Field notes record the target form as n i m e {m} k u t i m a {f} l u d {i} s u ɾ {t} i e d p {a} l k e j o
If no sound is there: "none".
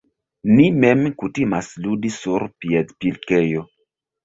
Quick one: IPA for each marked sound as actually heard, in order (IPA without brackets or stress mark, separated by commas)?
m, s, i, p, i